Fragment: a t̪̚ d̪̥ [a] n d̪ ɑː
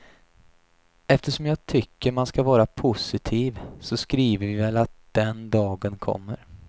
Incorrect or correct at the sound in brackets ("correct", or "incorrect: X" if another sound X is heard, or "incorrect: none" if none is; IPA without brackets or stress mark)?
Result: incorrect: ɛ